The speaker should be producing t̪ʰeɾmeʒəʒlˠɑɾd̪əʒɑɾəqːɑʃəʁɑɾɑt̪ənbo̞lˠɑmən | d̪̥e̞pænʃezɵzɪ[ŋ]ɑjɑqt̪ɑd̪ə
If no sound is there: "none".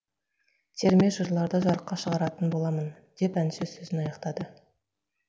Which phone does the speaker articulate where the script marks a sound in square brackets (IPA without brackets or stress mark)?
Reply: n